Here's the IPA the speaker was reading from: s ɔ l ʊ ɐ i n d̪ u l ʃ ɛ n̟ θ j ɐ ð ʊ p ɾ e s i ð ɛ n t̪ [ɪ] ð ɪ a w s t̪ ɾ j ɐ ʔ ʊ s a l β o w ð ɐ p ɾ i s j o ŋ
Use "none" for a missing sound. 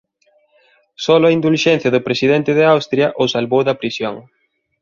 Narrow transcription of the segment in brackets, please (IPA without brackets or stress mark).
ɪ